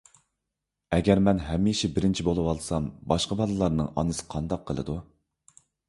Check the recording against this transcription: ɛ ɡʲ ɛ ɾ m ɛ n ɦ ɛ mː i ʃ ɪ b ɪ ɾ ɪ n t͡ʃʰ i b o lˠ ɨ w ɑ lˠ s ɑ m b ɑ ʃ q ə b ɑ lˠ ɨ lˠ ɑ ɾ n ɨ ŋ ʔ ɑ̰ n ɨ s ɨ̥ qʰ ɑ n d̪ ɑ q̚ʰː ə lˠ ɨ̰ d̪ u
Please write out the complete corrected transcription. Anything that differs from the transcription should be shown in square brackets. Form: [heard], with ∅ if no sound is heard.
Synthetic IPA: ɛ ɡʲ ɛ ɾ m ɛ n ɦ ɛ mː i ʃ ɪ b ɪ ɾ ɪ n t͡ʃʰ i b o lˠ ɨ w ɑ lˠ s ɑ m b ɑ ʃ q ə b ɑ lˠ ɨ lˠ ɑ ɾ n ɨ ŋ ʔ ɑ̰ n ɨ s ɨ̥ qʰ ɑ n d̪ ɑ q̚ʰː ə lˠ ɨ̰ d̪ u